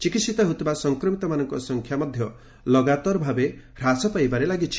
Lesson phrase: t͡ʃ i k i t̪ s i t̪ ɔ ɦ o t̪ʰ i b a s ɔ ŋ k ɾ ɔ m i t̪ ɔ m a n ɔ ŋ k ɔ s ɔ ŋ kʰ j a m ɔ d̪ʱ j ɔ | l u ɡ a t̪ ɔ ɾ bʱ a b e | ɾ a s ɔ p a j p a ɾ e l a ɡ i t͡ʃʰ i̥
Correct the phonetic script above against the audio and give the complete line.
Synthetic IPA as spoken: t͡ʃ i k i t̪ s i t̪ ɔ ɦ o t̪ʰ i b a s ɔ ŋ k ɾ ɔ m i t̪ ɔ m a n ɔ ŋ k ɔ s ɔ ŋ kʰ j a m ɔ d̪ʱ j ɔ | l ɔ ɡ a t̪ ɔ ɾ bʱ a b e | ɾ a s ɔ p a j b a ɾ e l a ɡ i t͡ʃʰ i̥